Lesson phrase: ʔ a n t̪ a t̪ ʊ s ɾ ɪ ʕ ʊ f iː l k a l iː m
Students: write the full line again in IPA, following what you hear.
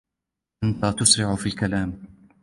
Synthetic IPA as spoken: ʔ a n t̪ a t̪ ʊ s ɾ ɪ ʕ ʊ f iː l k a l aː m